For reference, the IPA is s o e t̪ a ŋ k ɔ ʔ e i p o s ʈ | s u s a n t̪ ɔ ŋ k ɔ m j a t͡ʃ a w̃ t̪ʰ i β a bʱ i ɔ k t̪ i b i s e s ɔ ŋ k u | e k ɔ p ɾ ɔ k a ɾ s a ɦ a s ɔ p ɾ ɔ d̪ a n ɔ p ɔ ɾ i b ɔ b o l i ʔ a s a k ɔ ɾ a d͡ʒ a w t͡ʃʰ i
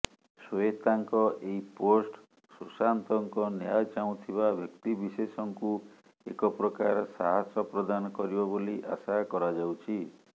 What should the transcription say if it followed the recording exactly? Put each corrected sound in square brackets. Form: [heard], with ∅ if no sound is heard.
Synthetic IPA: s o e t̪ a ŋ k ɔ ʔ e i p o s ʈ | s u s a n t̪ ɔ ŋ k ɔ [n] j a t͡ʃ a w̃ t̪ʰ i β a bʱ [j] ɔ k t̪ i b i s e s ɔ ŋ k u | e k ɔ p ɾ ɔ k a ɾ s a ɦ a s ɔ p ɾ ɔ d̪ a n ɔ [k] ɔ ɾ i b ɔ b o l i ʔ a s a k ɔ ɾ a d͡ʒ a w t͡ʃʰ i